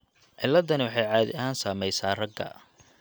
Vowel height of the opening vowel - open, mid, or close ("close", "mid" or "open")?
close